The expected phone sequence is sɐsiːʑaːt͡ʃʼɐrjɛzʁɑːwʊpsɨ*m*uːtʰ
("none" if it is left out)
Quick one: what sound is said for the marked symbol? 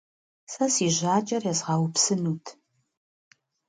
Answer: n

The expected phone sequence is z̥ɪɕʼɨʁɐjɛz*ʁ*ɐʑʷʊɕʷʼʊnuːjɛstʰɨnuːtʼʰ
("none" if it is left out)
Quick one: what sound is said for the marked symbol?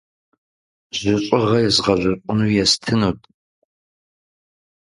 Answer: ʁ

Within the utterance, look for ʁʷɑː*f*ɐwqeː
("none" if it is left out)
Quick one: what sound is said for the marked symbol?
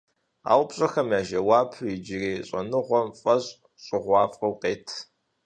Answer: f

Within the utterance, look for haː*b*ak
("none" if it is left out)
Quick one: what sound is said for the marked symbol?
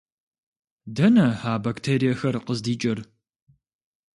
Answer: b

